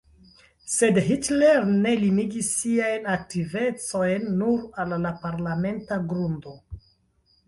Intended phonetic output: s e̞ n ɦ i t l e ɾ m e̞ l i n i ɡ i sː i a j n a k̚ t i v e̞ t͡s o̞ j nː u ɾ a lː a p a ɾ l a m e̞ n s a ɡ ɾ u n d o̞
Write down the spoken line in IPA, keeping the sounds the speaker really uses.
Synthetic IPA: s e̞ d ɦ i t l e ɾ n e̞ l i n i ɡ i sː i a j n a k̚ t i v e̞ t͡s o̞ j nː u ɾ a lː a p a ɾ l a m e̞ n t a ɡ ɾ u n d o̞